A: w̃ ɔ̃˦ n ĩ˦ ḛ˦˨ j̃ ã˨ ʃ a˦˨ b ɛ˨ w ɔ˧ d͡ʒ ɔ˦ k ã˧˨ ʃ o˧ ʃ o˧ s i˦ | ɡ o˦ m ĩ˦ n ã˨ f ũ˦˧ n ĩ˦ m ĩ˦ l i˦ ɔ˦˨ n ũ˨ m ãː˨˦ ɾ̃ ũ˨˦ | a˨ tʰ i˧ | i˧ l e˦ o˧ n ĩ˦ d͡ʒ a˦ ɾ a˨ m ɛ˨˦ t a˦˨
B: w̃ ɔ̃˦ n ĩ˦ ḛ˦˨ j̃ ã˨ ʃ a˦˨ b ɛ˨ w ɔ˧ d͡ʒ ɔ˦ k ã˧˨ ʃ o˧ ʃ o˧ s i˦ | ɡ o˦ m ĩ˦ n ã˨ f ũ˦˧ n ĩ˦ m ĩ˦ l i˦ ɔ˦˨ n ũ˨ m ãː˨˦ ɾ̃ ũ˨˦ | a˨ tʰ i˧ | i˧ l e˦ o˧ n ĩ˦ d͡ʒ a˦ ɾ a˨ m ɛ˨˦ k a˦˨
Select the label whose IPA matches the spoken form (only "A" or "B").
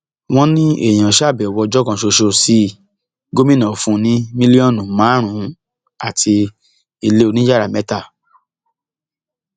A